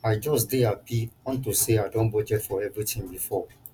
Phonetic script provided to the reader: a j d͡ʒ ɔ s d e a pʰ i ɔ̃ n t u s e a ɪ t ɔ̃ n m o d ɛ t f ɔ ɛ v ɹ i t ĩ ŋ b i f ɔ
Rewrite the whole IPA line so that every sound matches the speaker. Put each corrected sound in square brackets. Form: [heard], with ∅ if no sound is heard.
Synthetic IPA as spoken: a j d͡ʒ ɔ s d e a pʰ i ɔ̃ n t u s e a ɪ [d] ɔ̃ n [b] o [d͡ʒ] ɛ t f ɔ ɛ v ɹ i t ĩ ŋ b i f ɔ